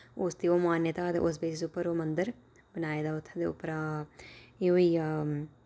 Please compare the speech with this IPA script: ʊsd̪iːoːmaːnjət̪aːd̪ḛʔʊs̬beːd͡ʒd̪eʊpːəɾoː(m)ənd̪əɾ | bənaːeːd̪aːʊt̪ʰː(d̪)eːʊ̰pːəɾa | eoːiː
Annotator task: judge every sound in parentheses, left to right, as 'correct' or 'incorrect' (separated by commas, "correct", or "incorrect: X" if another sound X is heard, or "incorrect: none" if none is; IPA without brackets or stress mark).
correct, correct